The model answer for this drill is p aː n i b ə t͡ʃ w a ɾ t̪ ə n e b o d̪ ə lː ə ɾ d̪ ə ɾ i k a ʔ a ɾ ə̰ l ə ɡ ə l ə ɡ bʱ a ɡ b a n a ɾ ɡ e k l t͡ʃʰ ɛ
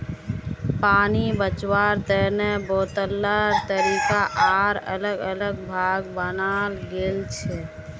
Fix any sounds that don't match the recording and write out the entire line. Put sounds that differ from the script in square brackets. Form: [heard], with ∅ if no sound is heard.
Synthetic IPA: p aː n i b ə t͡ʃ w a ɾ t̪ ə n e b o [t̪] ə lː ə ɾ [t̪] ə ɾ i k a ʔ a ɾ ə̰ l ə ɡ ə l ə ɡ bʱ a ɡ b [ə] n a [l] ɡ e [∅] l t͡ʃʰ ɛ